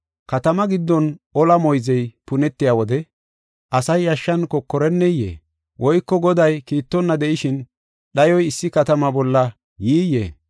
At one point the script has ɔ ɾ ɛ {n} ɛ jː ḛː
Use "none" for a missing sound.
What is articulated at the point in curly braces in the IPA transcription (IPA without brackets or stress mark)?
nː